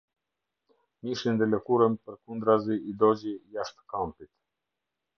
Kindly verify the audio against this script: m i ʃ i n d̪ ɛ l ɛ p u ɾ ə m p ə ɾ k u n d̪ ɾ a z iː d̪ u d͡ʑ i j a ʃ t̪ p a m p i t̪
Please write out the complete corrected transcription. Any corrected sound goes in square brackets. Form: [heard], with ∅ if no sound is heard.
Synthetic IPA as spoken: m i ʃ i n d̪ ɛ l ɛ [k] u ɾ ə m p ə ɾ k u n d̪ ɾ a z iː d̪ [ɔ] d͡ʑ i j a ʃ t̪ [k] a m p i t̪